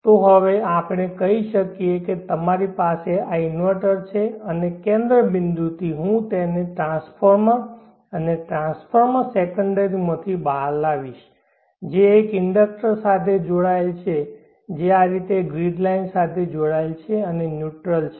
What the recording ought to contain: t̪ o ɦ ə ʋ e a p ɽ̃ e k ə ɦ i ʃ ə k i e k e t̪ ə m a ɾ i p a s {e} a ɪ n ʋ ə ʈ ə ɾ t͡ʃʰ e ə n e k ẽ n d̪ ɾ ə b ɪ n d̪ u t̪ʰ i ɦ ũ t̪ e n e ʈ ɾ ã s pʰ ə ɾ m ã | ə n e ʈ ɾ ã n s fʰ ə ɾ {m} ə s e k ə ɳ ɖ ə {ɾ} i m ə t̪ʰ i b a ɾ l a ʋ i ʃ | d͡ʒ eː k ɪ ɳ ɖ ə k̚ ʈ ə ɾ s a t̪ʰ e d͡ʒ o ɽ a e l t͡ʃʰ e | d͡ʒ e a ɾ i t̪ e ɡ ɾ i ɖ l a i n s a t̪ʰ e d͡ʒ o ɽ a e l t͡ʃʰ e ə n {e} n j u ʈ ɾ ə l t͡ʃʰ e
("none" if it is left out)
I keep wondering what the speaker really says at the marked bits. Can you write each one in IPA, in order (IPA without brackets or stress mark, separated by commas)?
e, m, ɾ, e